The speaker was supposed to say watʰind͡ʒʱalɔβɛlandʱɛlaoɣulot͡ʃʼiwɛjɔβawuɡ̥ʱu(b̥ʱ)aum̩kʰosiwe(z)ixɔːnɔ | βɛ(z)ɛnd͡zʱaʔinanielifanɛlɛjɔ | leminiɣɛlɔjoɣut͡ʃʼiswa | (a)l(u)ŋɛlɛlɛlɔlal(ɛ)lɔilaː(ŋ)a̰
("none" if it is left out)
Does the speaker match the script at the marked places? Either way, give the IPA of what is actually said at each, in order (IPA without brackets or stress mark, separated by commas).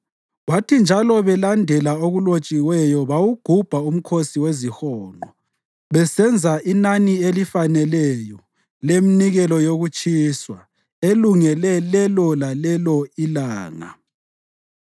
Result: b̥ʱ, z, s, e, u, ɛ, ŋ